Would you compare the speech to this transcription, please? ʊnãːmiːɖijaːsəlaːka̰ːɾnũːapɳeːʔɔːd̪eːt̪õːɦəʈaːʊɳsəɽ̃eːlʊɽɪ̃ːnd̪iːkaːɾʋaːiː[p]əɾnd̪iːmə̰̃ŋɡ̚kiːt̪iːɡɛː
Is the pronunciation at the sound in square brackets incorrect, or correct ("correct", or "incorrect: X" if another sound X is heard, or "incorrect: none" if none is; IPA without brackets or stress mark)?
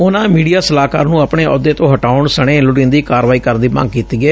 incorrect: k